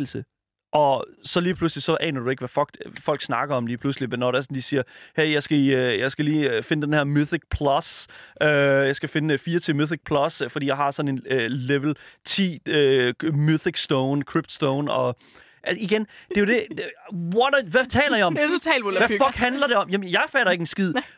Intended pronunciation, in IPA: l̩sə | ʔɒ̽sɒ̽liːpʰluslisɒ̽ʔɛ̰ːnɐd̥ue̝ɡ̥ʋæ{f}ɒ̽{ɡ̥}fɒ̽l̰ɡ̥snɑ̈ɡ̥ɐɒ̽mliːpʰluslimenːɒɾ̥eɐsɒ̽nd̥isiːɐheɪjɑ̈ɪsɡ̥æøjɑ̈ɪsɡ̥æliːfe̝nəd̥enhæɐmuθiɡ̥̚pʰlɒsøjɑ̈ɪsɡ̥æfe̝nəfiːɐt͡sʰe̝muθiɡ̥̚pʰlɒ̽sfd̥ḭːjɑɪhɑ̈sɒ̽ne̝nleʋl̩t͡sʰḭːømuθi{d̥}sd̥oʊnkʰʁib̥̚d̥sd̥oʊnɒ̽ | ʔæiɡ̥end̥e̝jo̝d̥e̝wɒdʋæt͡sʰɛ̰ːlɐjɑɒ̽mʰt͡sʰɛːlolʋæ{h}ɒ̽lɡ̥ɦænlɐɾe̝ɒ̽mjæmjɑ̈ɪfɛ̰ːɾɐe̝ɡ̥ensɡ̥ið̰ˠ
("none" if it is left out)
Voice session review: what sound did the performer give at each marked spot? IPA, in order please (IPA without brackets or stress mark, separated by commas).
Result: f, ɡ̥, ɡ̥, f